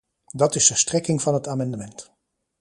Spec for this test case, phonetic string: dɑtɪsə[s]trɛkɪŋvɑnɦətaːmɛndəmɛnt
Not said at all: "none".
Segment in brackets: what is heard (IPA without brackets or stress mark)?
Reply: s